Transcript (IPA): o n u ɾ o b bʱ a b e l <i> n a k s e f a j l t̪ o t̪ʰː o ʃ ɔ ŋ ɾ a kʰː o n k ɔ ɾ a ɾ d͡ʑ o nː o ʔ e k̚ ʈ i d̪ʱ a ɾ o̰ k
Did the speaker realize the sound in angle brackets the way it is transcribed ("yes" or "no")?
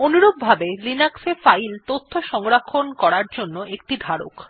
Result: yes